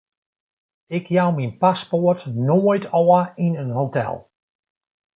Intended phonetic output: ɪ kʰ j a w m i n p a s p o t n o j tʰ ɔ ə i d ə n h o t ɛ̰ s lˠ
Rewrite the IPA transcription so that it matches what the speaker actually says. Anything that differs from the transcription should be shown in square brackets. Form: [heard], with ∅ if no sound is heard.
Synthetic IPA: ɪ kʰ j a w m i n p a s p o t n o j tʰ ɔ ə i [n] ə n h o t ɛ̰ [∅] lˠ